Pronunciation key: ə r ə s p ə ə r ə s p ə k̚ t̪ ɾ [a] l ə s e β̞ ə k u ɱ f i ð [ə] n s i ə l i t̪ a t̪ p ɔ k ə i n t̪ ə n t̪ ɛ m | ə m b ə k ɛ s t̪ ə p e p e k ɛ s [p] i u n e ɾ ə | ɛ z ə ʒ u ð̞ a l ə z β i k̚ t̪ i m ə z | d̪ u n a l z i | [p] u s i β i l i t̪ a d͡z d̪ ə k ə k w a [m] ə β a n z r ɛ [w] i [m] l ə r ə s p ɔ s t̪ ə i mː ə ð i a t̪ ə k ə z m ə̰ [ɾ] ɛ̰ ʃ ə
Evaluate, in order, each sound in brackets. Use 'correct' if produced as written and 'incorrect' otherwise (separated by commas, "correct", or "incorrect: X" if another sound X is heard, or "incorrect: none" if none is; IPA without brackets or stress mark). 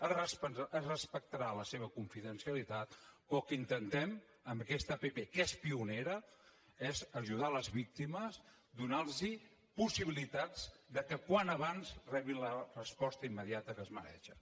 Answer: correct, correct, correct, correct, incorrect: n, incorrect: β, incorrect: n, correct